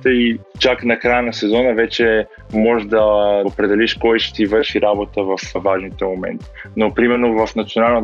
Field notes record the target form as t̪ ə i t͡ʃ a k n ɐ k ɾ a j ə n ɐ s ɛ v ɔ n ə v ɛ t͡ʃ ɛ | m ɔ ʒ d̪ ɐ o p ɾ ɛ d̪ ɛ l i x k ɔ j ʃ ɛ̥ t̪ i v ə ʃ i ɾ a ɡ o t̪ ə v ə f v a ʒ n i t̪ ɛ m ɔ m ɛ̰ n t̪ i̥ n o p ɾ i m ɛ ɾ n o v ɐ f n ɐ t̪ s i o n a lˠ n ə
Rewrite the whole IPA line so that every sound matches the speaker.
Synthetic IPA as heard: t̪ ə i t͡ʃ a k n ɐ k ɾ a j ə n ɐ s ɛ z ɔ n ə v ɛ t͡ʃ ɛ | m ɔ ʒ d̪ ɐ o p ɾ ɛ d̪ ɛ l i ʃ k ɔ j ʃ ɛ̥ t̪ i v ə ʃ i ɾ a b o t̪ ə v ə f v a ʒ n i t̪ ɛ m o m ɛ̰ n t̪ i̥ n o p ɾ i m ɛ ɾ n o v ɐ f n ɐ t̪ s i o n a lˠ n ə